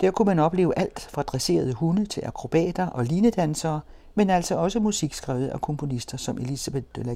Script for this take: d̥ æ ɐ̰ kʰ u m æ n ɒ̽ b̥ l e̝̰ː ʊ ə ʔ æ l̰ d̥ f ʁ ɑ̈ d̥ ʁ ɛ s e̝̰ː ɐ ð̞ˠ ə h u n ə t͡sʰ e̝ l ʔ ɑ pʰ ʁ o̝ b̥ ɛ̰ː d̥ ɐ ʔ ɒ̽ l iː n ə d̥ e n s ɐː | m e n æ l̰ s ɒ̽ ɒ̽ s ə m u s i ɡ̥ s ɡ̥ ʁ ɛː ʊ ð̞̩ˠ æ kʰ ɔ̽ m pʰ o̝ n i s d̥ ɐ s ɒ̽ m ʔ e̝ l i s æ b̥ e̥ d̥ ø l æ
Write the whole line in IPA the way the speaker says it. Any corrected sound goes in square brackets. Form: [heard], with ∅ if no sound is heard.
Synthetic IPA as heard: d̥ æ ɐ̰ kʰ u m æ n ɒ̽ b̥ l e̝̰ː ʊ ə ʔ æ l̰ d̥ f ʁ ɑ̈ d̥ ʁ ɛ s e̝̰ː ɐ ð̞ˠ ə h u n ə t͡sʰ e̝ l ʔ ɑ [kʰ] ʁ o̝ b̥ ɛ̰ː d̥ ɐ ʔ ɒ̽ l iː n ə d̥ [æ] n s ɐː | m e n æ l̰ s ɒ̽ ɒ̽ s ə m u s i ɡ̥ s ɡ̥ ʁ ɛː ʊ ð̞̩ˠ æ kʰ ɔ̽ m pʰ o̝ n i s d̥ ɐ s ɒ̽ m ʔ e̝ l i s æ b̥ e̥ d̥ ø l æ